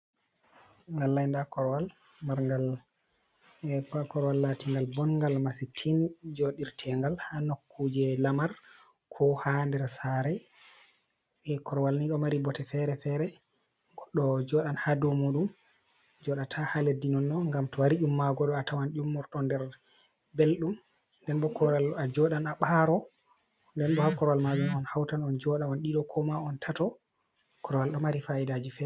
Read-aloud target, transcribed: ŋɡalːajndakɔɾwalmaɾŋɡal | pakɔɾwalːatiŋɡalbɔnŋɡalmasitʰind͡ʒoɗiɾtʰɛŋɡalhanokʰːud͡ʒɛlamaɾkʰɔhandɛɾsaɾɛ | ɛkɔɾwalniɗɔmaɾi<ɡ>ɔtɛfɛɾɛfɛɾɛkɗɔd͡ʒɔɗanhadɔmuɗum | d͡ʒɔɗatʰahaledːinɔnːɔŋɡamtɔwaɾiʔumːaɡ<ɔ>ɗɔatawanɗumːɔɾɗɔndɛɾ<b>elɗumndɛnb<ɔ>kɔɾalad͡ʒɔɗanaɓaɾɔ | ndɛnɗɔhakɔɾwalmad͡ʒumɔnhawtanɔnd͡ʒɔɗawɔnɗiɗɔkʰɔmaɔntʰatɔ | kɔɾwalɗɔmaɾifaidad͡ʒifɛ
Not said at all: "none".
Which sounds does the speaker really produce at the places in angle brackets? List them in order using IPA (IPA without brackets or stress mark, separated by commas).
b, ɔ, b, ɔ